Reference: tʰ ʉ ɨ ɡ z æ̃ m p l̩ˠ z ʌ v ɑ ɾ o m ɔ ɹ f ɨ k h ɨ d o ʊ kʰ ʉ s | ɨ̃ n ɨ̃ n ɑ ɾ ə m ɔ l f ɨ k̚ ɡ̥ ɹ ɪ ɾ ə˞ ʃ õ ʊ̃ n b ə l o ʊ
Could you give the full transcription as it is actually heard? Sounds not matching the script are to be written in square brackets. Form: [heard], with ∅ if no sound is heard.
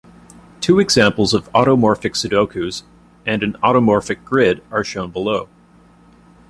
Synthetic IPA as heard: tʰ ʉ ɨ ɡ z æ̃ m p l̩ˠ z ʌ v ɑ ɾ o m ɔ ɹ f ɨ k [s] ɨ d o ʊ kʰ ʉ [z] | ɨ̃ n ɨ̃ n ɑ ɾ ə m ɔ [ɹ] f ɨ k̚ ɡ̥ ɹ ɪ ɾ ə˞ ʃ õ ʊ̃ n b ə l o ʊ